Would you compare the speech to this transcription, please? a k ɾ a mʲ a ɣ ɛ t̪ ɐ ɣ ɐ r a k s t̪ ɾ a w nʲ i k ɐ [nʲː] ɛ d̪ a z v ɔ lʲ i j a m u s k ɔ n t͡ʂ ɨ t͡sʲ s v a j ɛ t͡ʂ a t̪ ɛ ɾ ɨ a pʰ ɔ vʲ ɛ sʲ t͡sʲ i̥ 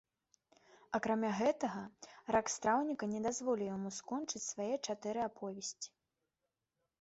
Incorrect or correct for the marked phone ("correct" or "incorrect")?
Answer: incorrect